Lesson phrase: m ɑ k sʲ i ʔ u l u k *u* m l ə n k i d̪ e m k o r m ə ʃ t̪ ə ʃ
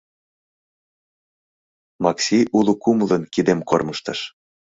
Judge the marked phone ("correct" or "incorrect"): correct